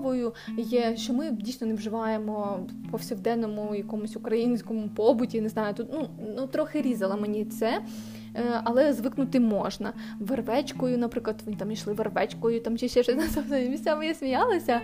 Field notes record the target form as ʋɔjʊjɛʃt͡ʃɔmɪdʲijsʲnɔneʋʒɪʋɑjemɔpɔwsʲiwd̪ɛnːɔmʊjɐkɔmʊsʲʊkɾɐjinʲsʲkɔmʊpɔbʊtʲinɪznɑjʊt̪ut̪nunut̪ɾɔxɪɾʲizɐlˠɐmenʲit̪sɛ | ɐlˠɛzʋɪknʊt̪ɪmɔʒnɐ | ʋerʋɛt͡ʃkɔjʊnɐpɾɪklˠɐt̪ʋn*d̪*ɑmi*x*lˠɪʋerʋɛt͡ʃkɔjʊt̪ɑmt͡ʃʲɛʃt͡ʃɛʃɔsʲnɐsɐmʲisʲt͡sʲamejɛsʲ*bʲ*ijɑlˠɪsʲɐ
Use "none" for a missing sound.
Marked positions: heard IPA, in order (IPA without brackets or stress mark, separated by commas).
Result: t̪, ʃ, mʲ